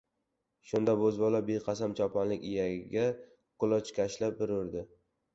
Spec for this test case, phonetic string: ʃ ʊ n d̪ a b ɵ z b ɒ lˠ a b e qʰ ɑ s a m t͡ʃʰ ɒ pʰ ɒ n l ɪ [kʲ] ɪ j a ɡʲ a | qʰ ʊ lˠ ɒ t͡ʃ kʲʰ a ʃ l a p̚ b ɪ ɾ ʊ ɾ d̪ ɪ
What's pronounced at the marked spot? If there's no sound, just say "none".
kʲ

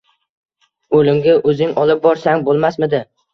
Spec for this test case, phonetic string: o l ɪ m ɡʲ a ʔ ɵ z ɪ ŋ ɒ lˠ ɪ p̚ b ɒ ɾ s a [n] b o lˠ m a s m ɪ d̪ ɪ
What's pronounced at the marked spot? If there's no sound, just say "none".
ŋ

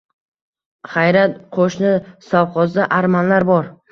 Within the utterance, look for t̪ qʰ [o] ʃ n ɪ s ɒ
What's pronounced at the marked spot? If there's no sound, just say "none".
o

